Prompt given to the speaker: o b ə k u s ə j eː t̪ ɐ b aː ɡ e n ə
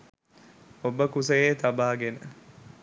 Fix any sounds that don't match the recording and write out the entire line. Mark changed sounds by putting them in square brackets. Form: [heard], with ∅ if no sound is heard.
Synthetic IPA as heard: o b ə k u s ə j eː t̪ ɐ b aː ɡ e n ə